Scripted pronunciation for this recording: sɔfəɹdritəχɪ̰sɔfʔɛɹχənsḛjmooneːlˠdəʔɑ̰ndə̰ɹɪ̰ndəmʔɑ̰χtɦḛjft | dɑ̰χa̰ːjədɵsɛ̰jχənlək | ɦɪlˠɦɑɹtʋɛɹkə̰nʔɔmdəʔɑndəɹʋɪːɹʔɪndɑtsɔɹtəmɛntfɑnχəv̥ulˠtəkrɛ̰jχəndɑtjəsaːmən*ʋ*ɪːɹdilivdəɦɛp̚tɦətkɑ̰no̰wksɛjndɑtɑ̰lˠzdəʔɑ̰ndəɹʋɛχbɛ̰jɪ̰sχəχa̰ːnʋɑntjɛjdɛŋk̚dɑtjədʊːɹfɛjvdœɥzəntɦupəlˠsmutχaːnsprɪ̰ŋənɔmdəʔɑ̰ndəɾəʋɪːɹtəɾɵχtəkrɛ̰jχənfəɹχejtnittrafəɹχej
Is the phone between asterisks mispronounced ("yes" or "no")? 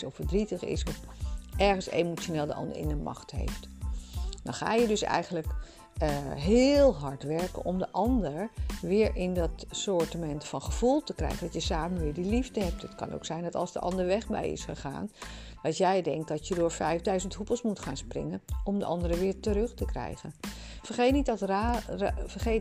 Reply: no